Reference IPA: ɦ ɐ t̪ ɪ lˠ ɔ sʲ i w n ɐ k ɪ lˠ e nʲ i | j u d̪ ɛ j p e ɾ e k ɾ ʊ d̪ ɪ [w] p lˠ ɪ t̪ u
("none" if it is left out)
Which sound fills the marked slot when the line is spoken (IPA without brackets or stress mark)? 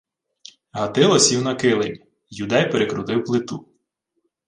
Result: w